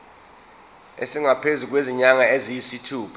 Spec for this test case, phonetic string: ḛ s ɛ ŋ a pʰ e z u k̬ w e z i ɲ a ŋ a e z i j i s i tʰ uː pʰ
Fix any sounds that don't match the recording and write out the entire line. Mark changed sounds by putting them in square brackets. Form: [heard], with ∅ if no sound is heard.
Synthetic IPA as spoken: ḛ s [i] ŋ a pʰ e z u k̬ w e z i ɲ a ŋ a e z i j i s i tʰ uː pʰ